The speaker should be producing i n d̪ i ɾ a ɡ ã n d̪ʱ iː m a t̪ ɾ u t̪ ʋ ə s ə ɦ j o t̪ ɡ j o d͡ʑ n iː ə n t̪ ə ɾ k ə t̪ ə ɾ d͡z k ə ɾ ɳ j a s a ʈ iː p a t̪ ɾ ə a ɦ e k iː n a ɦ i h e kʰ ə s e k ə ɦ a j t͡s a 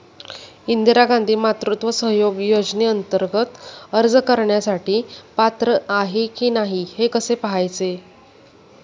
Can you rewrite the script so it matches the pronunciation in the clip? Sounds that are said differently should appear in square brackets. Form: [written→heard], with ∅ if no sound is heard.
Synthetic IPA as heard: i n d̪ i ɾ a ɡ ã n d̪ʱ iː m a t̪ ɾ u t̪ ʋ ə s ə ɦ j o [t̪→∅] ɡ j o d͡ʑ n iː ə n t̪ ə ɾ [k→ɡ] ə t̪ ə ɾ d͡z k ə ɾ ɳ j a s a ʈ iː p a t̪ ɾ ə a ɦ e k iː n a ɦ i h e [kʰ→k] ə s e [k→p] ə ɦ a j t͡s [a→e]